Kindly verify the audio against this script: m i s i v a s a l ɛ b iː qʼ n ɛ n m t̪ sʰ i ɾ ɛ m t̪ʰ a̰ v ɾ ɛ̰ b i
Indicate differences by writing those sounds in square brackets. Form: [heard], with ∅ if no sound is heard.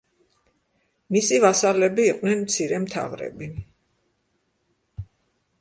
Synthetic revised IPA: m i s i v a s a l ɛ b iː qʼ n ɛ n m t̪ sʰ i ɾ ɛ m t̪ʰ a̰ v ɾ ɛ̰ b i